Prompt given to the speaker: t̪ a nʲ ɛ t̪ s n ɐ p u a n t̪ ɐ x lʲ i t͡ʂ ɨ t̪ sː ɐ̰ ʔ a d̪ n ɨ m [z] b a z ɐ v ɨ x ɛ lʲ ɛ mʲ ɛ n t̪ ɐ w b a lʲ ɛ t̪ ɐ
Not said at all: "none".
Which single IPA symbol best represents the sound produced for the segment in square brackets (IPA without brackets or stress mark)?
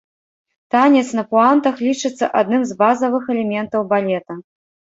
z